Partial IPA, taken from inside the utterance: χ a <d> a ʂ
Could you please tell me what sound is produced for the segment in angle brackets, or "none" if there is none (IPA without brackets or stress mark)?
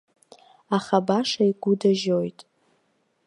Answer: b